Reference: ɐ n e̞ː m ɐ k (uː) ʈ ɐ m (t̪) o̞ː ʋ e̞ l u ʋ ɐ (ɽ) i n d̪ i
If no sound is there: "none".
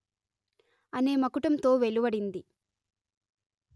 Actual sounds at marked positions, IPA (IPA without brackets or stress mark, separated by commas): u, t̪, ɽ